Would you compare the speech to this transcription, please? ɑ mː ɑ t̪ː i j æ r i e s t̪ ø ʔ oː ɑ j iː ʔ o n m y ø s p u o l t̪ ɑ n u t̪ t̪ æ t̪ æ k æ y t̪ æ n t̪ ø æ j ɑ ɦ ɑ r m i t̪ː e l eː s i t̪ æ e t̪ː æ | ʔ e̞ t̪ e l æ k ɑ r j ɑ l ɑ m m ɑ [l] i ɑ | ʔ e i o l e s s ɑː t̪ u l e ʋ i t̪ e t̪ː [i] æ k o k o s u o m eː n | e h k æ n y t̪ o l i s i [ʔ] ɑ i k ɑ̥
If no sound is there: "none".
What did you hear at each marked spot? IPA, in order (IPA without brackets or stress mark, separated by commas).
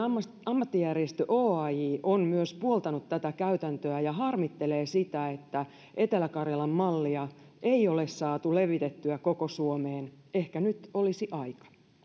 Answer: lː, y, ʔ